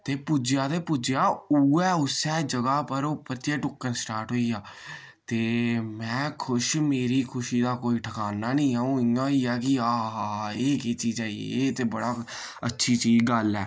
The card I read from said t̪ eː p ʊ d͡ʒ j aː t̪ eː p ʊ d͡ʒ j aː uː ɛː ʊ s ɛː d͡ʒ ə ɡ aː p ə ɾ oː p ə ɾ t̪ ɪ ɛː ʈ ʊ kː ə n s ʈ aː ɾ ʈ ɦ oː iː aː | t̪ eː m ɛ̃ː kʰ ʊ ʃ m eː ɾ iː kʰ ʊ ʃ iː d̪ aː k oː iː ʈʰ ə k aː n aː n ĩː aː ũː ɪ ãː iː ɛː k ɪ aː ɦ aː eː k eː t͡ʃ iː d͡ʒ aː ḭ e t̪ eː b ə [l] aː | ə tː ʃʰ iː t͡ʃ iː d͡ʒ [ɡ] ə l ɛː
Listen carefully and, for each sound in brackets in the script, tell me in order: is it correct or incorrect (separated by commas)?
incorrect, correct